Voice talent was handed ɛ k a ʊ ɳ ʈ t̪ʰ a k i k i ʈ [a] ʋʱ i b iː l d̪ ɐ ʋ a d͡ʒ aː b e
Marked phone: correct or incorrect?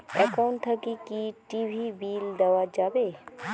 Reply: incorrect